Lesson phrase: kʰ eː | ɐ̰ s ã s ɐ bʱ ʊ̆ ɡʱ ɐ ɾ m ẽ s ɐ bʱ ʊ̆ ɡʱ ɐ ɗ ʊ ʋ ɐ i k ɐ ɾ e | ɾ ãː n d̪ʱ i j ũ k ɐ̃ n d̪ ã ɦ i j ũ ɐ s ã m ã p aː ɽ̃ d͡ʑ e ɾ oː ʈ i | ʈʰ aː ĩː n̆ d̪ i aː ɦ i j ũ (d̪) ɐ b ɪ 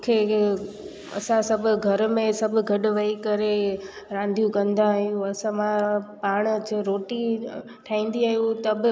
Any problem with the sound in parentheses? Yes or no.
yes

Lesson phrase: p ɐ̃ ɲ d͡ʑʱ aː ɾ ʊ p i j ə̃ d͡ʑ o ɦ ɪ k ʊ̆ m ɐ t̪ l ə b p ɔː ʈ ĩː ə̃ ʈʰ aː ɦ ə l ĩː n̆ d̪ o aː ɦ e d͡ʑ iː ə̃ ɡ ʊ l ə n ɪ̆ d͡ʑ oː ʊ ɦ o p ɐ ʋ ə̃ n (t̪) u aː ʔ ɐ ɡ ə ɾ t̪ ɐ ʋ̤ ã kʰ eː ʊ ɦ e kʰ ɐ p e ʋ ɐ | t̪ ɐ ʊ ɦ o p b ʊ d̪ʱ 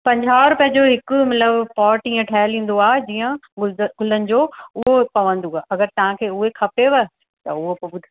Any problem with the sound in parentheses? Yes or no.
yes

